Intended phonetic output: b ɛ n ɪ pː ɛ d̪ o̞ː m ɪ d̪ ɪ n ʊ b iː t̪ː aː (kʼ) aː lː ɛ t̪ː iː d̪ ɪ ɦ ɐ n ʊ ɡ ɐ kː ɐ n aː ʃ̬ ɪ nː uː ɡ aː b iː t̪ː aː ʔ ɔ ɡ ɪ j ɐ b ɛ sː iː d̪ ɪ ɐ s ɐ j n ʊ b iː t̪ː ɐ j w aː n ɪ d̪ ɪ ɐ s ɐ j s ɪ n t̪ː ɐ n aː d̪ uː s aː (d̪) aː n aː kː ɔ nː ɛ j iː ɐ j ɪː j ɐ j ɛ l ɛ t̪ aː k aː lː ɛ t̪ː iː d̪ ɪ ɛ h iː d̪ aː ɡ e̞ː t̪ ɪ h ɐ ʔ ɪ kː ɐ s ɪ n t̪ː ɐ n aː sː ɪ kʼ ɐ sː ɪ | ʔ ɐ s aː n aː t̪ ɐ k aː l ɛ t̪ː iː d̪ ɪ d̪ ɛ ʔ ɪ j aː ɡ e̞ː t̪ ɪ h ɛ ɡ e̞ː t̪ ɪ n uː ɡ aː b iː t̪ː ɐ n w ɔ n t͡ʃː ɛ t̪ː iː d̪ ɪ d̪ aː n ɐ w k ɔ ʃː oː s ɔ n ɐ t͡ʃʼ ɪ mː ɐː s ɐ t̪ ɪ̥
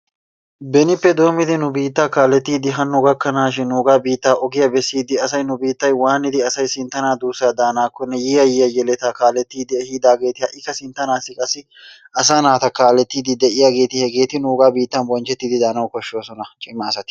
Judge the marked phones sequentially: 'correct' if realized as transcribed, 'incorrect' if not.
incorrect: k, correct

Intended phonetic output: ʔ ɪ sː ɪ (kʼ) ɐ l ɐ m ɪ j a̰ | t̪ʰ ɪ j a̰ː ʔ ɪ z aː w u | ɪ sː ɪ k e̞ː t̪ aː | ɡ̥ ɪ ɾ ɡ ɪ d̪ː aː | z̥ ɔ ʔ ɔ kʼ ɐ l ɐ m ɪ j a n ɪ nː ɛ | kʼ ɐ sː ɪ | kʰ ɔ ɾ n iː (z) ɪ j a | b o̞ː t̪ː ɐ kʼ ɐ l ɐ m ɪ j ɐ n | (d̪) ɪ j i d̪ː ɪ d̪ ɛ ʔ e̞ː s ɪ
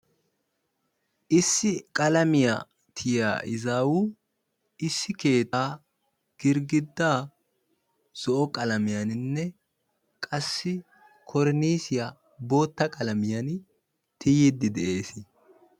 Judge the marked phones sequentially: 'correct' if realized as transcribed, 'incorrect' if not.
correct, incorrect: s, incorrect: t̪

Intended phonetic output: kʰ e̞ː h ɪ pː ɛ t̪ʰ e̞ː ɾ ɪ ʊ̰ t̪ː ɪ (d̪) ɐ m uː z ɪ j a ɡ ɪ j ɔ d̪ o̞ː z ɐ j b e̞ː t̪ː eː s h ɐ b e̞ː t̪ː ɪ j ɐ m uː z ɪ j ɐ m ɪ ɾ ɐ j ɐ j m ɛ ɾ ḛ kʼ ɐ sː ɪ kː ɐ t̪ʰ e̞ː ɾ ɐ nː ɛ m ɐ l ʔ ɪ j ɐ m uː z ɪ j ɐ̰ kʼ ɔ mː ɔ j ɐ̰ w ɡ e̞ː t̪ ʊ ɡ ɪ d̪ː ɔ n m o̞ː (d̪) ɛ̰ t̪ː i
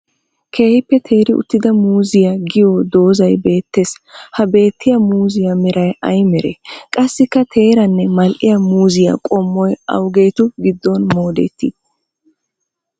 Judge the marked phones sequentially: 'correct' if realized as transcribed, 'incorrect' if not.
correct, correct

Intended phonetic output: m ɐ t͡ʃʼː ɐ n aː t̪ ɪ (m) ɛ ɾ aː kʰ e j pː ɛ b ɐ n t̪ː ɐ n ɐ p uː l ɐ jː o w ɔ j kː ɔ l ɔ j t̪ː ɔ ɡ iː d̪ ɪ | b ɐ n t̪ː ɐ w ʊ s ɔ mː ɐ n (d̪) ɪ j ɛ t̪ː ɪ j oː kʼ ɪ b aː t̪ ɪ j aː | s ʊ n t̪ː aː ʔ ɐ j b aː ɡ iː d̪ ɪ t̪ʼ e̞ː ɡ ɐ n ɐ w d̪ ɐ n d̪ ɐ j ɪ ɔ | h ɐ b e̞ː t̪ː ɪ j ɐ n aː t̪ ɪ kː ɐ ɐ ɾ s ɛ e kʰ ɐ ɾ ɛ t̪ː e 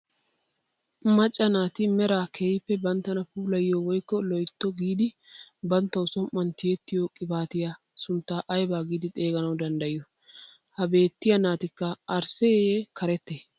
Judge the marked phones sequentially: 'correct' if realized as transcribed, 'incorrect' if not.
correct, incorrect: t̪

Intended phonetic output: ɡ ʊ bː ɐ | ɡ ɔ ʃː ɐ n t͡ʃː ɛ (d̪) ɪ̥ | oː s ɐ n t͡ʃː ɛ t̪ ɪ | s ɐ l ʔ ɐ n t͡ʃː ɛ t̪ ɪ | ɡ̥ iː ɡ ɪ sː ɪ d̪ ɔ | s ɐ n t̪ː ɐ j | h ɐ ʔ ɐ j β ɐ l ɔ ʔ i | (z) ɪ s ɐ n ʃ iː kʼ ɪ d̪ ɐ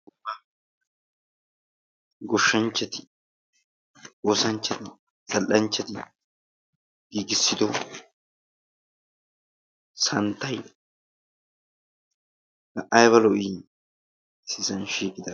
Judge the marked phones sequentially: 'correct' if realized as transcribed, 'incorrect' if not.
incorrect: t̪, incorrect: s

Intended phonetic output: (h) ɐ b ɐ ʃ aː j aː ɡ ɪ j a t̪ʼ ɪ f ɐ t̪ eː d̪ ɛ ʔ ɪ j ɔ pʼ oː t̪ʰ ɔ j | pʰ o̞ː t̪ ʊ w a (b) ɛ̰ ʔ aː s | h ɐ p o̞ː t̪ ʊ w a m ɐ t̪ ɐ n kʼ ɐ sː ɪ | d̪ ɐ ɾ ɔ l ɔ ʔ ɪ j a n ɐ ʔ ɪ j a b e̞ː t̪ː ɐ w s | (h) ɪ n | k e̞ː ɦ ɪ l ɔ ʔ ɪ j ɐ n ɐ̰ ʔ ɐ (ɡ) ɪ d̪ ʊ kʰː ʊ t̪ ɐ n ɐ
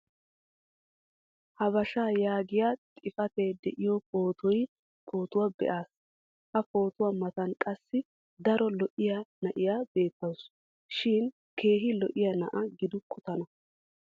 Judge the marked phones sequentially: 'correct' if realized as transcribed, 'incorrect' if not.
correct, correct, incorrect: ʃ, correct

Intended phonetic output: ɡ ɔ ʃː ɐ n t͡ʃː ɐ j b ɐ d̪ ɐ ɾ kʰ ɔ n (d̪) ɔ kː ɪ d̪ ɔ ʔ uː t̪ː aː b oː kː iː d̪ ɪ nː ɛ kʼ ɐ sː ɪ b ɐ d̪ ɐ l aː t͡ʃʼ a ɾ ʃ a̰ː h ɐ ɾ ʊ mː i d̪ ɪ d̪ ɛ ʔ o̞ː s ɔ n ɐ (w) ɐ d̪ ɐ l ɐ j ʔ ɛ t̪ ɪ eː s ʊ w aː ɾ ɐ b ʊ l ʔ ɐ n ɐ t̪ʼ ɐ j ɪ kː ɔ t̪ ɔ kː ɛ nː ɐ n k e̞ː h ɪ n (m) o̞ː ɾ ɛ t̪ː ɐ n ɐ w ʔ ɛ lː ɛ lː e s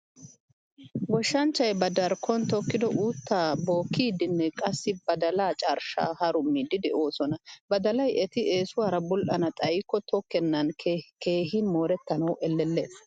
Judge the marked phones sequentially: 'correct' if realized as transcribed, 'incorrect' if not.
incorrect: t̪, incorrect: b, correct

